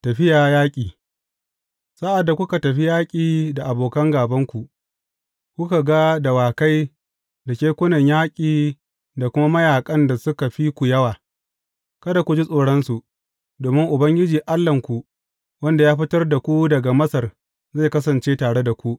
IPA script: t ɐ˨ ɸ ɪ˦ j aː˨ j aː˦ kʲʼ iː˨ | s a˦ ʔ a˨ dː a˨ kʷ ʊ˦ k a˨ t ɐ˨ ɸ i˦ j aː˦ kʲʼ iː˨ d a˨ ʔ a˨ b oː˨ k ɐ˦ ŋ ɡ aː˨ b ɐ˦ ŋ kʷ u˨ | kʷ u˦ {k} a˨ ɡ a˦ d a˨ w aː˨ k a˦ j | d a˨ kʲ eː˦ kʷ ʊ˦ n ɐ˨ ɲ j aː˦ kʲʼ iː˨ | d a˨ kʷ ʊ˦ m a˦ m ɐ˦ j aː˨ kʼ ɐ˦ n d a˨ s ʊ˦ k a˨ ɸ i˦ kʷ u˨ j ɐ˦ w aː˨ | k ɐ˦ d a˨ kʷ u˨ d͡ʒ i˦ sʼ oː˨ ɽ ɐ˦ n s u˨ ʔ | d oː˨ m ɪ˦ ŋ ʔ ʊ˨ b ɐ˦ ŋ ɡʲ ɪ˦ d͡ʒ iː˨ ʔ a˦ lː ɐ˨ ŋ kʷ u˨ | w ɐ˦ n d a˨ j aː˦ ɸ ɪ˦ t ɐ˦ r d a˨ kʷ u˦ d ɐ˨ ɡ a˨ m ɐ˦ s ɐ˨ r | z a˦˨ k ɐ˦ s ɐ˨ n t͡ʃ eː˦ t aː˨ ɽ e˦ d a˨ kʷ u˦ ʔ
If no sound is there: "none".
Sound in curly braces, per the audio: k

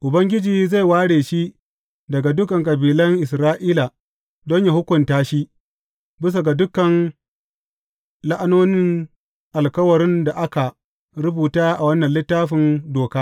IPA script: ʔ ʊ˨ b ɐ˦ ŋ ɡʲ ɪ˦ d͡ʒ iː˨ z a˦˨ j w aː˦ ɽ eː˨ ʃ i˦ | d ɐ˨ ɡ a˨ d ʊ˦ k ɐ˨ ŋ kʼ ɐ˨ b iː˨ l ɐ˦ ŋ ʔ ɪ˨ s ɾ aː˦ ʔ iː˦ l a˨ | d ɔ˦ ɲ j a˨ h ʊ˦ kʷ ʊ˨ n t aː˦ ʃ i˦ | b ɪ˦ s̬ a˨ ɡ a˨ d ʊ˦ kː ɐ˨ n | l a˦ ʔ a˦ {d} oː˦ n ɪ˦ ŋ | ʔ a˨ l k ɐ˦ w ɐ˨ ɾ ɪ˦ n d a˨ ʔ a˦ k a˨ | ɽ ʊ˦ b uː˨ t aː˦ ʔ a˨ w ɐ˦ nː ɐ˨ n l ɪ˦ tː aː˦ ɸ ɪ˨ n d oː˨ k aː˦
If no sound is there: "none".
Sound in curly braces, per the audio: n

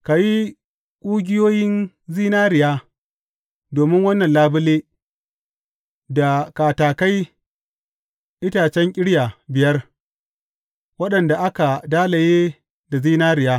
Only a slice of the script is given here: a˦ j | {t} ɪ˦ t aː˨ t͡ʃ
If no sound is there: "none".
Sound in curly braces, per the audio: ʔ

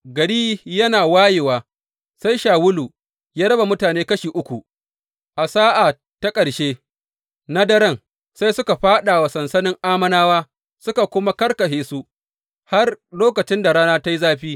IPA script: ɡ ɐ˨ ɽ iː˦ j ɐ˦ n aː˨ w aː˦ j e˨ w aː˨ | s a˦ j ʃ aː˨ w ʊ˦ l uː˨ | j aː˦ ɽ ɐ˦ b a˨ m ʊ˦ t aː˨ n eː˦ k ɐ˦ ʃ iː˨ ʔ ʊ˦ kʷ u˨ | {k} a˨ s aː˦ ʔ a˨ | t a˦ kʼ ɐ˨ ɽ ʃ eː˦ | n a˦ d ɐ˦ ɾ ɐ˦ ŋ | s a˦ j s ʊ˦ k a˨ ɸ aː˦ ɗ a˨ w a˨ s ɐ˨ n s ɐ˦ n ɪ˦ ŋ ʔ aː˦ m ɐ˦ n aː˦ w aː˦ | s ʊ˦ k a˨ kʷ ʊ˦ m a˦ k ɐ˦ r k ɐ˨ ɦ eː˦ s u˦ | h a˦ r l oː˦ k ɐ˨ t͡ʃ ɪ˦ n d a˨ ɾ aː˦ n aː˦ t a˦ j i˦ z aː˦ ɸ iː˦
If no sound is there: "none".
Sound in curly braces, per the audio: ʔ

